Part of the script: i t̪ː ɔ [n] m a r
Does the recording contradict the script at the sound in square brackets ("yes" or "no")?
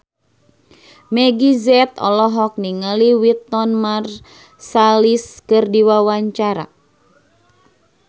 no